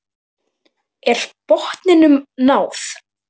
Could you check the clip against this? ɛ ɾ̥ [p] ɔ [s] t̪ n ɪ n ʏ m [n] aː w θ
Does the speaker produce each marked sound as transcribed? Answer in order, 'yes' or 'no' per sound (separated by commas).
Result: yes, no, yes